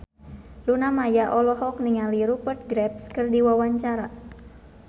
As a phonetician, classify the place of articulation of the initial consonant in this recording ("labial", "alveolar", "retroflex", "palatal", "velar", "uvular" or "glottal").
alveolar